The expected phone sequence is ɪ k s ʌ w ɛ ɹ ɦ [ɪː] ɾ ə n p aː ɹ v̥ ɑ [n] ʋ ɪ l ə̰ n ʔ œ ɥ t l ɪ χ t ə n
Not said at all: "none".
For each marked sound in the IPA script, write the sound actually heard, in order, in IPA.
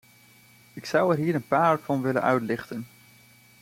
iː, n

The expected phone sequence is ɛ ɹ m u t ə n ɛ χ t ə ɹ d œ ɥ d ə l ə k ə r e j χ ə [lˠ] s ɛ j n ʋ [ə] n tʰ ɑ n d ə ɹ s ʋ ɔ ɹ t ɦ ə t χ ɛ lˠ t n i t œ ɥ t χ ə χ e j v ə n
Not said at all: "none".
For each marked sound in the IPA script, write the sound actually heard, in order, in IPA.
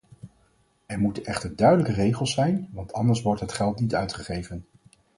lˠ, ɑ

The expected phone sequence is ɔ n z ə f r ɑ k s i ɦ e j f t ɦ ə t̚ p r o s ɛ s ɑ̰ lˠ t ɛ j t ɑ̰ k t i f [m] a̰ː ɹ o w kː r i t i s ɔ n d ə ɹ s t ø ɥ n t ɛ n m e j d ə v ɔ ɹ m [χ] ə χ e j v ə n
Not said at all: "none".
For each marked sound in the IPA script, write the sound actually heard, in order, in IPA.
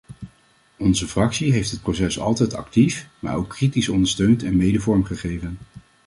m, χ

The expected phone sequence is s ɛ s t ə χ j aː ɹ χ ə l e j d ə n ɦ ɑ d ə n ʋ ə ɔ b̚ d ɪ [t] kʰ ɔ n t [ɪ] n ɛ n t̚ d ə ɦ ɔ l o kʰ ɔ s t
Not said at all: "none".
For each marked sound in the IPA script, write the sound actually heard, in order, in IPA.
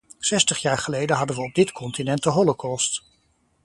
t, i

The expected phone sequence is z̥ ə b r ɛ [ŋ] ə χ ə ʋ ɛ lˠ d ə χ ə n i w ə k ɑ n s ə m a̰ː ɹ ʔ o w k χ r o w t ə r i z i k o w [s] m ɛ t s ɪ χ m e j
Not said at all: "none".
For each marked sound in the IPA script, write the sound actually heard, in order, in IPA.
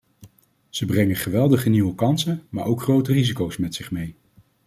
ŋ, s

